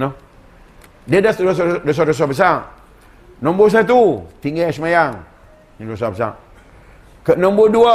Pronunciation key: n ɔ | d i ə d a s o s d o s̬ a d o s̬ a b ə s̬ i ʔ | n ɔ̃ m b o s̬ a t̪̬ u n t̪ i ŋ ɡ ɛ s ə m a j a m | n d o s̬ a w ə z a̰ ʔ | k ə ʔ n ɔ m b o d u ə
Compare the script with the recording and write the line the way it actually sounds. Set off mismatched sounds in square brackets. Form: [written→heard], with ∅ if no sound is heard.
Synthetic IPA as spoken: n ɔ | d i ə d a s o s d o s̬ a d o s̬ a b ə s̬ [i→a] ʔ | n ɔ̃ m b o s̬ a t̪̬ u [n→∅] t̪ i ŋ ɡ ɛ s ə m a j a [m→ŋ] | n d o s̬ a [w→b] ə [z→s] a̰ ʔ | k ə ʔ n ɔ m b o d u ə